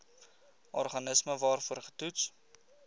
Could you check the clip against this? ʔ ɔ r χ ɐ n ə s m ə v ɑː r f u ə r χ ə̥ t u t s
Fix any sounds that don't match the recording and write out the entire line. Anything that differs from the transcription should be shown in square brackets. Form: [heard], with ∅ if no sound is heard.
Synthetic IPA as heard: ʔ ɔ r χ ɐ n ə s m ə v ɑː r f u ə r χ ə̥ t u t s